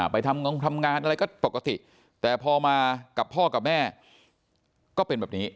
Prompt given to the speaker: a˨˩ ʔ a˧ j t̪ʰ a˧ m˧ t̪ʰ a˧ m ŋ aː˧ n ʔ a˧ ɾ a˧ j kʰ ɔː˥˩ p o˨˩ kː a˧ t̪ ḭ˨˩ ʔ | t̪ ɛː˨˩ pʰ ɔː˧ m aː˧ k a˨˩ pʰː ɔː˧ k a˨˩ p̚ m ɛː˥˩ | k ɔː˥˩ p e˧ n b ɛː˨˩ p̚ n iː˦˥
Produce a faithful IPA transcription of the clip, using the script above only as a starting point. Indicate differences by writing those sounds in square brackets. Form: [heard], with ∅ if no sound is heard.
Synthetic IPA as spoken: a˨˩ [p] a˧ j t̪ʰ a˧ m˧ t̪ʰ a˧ m ŋ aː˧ n ʔ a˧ ɾ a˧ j [k] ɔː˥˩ p o˨˩ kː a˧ t̪ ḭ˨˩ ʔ | t̪ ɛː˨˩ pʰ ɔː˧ m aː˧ k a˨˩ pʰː [ɔː˥˩] k a˨˩ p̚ m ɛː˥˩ | k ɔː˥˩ p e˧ n b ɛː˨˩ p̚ n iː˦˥

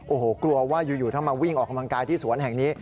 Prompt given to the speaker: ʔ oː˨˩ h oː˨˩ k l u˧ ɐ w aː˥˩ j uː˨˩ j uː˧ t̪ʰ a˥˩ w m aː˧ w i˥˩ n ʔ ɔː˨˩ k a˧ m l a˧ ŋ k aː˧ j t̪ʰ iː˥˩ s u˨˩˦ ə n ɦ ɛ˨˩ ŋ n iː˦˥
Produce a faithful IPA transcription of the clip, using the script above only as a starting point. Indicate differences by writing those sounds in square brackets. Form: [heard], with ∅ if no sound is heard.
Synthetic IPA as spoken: ʔ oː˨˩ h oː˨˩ k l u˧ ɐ w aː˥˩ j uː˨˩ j [uː˨˩] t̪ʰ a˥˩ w m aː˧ w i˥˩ [ŋ] ʔ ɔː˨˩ k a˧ m l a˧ ŋ k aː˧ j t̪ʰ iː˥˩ s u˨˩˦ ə n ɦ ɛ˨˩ ŋ n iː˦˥

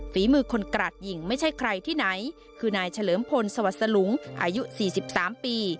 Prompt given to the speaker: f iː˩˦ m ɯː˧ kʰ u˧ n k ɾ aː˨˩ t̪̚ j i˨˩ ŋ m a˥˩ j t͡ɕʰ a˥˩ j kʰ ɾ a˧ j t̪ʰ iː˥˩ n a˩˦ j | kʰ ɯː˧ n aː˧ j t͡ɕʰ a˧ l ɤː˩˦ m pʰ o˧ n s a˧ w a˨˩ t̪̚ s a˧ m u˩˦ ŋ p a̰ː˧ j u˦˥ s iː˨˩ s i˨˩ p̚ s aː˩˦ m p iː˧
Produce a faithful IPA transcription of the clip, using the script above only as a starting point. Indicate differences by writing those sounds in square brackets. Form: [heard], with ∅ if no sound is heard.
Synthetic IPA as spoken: f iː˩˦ m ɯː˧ kʰ [o˧] n k ɾ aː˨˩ t̪̚ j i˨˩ ŋ m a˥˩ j t͡ɕʰ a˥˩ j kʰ ɾ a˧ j t̪ʰ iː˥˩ n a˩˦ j | kʰ ɯː˧ n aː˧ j t͡ɕʰ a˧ l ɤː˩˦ m pʰ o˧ n s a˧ w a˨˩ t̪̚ s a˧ [n] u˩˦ ŋ [ʔ] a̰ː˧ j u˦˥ s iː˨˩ s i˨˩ p̚ s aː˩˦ m p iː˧

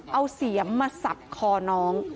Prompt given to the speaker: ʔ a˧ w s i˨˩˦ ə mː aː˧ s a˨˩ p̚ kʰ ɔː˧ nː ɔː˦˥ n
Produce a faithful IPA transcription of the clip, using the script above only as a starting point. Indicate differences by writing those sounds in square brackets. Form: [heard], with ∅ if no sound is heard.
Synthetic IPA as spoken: ʔ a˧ w s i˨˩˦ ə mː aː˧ s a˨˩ p̚ kʰ ɔː˧ [n] ɔː˦˥ [ŋ]

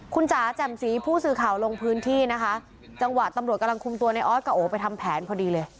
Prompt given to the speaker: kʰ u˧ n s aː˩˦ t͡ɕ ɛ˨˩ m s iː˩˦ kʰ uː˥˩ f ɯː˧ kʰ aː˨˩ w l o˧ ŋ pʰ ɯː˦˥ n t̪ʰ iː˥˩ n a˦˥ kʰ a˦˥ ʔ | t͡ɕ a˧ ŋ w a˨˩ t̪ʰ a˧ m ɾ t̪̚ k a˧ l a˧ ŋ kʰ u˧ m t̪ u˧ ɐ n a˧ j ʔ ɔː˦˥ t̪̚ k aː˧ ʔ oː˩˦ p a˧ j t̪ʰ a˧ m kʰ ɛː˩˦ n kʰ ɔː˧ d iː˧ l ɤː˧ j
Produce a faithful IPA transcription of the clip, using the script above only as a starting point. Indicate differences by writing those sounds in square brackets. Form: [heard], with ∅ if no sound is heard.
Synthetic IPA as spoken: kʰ u˧ n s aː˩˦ t͡ɕ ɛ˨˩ m s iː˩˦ [pʰ] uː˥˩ [s] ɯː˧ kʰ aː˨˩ w l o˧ ŋ pʰ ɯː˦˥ n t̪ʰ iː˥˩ n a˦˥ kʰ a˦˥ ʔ | t͡ɕ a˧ ŋ w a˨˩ [t̪] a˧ m ɾ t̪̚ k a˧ l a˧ ŋ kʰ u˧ m t̪ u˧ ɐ n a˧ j ʔ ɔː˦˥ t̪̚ k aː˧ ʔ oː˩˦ p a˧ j t̪ʰ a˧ m [pʰ] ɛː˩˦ n [pʰ] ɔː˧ d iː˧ l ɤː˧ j

